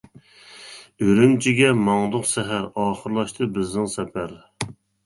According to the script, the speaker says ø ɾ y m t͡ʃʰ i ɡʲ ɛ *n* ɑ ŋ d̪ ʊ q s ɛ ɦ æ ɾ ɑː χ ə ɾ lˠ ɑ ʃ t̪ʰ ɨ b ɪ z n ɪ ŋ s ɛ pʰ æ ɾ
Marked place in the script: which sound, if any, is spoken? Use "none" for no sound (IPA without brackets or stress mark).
m